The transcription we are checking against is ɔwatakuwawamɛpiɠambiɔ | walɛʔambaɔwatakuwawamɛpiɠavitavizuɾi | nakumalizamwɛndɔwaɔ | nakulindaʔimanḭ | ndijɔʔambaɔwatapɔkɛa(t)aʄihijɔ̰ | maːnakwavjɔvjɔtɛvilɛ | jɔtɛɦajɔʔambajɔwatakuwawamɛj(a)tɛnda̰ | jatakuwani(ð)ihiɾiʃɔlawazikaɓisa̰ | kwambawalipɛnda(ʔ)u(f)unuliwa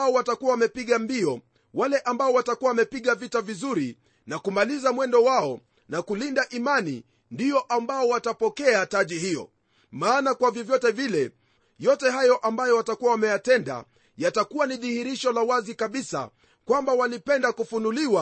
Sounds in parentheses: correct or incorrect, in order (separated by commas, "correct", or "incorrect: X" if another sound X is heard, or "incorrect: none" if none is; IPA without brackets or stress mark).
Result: correct, correct, correct, incorrect: k, correct